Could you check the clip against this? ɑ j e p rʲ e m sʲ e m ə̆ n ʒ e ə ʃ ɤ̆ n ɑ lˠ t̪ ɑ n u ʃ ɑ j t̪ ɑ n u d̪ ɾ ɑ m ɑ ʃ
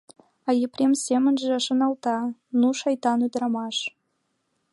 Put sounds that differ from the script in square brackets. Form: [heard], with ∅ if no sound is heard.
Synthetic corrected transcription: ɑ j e p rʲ e m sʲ e m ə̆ n ʒ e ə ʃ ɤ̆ n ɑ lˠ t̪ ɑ n u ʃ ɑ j t̪ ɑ n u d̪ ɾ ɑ m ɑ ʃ